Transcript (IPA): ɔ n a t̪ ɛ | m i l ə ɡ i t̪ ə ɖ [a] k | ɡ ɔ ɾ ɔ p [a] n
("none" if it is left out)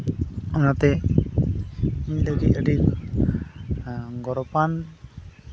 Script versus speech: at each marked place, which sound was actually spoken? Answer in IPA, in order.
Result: i, a

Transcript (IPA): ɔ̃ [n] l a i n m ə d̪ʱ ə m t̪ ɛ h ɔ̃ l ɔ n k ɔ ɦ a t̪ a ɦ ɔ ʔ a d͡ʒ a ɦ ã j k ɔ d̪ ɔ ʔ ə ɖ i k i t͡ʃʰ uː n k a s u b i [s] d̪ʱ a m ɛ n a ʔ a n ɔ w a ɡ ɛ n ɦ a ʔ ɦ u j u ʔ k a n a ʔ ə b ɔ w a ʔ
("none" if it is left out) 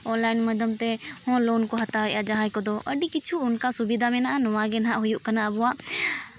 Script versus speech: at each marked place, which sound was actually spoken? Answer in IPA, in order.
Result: n, none

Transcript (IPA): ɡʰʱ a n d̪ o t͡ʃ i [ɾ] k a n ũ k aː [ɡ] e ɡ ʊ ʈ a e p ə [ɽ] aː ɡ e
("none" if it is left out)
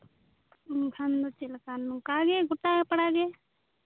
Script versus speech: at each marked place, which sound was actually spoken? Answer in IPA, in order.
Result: l, ɡ, ɽ

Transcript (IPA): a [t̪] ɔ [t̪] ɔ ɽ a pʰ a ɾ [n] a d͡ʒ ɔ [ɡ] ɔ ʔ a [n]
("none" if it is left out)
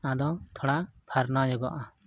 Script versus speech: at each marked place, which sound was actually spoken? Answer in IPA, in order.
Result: d̪, t̪ʰ, n, ɡ, none

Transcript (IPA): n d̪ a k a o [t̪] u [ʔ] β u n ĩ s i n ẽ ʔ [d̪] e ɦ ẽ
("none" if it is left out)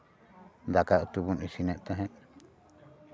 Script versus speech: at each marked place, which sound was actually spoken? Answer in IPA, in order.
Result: t̪, none, t̪

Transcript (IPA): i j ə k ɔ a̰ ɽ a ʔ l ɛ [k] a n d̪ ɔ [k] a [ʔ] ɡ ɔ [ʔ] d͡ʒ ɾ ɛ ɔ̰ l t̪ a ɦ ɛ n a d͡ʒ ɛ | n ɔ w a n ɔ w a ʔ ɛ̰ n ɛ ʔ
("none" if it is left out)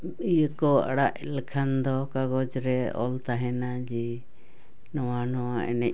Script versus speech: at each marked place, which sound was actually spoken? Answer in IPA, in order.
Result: kʰ, k, none, none

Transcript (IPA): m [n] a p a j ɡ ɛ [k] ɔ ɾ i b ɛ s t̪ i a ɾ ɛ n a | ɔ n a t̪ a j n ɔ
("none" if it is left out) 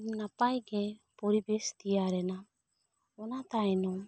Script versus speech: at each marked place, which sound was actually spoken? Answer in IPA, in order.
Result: n, p

